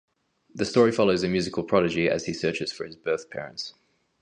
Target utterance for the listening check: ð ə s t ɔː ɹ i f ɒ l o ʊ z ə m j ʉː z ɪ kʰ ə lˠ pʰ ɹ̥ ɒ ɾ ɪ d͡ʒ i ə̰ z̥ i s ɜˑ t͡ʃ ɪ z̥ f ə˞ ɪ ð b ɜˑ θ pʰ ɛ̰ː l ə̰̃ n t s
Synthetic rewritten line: ð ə s t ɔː ɹ i f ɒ l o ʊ z ə m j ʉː z ɪ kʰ ə lˠ pʰ ɹ̥ ɒ ɾ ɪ d͡ʒ i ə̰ z̥ i s ɜˑ t͡ʃ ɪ z̥ f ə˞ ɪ z b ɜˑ θ pʰ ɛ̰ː ɹ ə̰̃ n t s